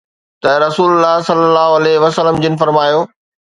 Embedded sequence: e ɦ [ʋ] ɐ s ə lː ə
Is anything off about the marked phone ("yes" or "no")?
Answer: no